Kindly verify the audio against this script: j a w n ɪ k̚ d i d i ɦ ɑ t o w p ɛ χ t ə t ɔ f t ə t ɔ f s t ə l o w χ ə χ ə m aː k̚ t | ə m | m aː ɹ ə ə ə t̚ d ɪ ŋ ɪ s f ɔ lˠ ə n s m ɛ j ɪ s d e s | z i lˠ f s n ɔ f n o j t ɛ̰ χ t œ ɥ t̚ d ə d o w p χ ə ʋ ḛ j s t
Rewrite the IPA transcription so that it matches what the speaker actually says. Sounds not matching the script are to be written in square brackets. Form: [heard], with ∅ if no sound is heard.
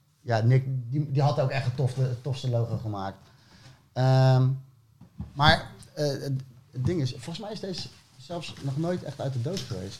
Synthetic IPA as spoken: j a [∅] n ɪ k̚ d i d i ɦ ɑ t o w [k] ɛ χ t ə t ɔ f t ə t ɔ f s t ə l o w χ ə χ ə m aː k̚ t | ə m | m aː ɹ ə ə ə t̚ d ɪ ŋ ɪ s f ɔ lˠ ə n s m ɛ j ɪ s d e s | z [ɛ] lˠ f s n ɔ [χ] n o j t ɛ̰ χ t œ ɥ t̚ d ə d o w [t] χ ə ʋ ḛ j s t